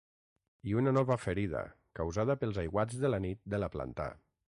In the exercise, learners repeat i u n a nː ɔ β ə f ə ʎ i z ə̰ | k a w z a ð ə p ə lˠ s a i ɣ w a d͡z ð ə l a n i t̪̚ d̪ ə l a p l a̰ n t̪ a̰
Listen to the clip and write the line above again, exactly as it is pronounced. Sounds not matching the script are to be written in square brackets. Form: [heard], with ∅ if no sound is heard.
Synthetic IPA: i u n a [n] ɔ β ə f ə [ɾ] i [ð] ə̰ | k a w z a ð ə p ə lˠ [z] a [j] ɣ w a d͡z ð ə l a n i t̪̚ d̪ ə l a p l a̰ n t̪ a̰